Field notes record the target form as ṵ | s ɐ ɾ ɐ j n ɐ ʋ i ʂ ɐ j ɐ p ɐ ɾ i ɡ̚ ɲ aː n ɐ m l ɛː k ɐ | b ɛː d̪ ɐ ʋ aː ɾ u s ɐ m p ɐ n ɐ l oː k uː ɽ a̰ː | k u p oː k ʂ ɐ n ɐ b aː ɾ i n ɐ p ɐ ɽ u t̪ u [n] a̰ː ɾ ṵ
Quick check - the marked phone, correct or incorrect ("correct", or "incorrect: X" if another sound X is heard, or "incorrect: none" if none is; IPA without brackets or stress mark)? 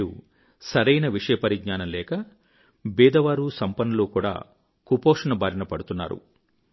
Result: incorrect: nː